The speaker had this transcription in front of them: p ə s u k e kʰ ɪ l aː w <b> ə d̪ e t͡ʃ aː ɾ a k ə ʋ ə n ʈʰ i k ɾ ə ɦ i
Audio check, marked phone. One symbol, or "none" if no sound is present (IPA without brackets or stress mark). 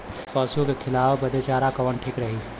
b